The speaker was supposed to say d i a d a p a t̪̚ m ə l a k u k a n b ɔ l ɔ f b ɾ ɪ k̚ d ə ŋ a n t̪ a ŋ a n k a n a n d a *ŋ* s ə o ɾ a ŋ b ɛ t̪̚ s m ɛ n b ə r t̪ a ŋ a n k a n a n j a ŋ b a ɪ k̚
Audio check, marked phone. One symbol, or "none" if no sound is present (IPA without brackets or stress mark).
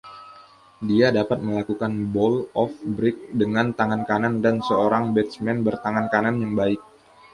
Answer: n